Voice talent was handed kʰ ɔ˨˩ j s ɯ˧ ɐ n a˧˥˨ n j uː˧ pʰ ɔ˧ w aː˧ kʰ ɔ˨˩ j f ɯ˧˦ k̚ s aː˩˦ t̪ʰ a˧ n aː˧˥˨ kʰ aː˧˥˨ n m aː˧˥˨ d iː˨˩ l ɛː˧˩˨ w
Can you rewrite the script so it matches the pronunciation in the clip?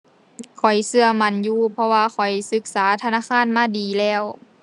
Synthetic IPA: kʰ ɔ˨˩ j s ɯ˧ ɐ m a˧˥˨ n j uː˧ pʰ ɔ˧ w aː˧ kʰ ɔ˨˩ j s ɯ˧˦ k̚ s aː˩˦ t̪ʰ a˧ n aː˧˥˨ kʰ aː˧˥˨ n m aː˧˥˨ d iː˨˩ l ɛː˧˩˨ w

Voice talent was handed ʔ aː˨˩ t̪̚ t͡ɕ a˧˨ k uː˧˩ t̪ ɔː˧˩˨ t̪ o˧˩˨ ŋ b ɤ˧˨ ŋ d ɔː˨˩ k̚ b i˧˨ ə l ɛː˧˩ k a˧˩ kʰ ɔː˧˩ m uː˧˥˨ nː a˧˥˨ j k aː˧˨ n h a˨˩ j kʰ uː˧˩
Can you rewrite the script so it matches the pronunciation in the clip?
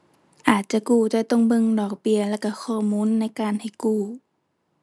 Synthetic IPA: ʔ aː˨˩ t̪̚ t͡ɕ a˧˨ k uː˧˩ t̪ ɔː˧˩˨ t̪ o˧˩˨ ŋ b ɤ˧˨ ŋ d ɔː˨˩ k̚ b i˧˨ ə l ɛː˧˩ k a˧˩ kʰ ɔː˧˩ m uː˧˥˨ nː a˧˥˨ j k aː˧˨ n h a˨˩ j k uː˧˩

